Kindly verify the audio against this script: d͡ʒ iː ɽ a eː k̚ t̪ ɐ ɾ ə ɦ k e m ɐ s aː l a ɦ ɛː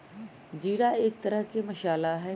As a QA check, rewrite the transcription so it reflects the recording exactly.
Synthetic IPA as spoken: d͡ʒ iː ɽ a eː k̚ t̪ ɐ ɾ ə ɦ k e m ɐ ʃ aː l a ɦ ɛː